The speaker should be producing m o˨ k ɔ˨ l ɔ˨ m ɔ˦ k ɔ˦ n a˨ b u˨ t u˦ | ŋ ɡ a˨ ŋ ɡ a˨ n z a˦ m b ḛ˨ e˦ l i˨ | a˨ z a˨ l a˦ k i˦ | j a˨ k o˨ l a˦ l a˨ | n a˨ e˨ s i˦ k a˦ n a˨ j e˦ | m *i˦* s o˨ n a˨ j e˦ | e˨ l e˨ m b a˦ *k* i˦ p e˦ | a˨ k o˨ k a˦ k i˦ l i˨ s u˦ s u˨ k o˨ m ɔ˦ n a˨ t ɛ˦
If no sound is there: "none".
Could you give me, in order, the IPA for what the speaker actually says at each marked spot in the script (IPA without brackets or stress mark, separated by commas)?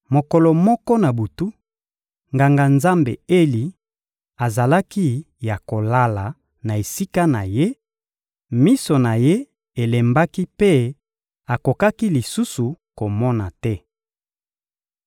i˦, k